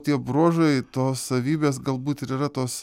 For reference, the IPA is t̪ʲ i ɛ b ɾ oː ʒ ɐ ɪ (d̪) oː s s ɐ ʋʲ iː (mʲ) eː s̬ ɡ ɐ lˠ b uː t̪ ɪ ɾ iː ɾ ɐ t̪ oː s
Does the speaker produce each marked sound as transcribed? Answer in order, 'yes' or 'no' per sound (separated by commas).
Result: no, no